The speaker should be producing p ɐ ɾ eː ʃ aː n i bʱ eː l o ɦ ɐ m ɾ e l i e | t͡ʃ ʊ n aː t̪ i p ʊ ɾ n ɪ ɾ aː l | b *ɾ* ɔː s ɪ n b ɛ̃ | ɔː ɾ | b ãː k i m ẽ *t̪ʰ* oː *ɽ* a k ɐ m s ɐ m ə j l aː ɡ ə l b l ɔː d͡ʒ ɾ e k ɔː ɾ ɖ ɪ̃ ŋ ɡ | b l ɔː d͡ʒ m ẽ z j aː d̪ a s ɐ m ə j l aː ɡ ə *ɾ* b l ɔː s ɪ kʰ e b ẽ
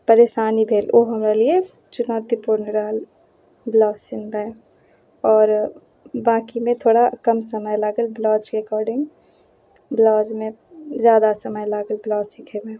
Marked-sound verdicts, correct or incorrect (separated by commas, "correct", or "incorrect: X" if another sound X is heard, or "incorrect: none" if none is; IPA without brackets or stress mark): incorrect: l, correct, correct, incorrect: l